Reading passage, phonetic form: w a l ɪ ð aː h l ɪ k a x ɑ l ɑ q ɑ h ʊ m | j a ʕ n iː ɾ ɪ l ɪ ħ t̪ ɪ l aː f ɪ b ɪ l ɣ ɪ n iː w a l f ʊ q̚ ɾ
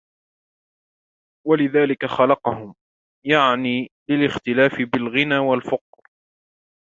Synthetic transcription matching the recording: w a l ɪ ð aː l ɪ k a x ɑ l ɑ q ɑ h ʊ m | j a ʕ n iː l ɪ l ɪ x t̪ ɪ l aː f ɪ b ɪ l ɣ ɪ n aː w a l f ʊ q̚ ɾ